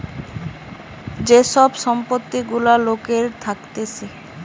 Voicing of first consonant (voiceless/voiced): voiced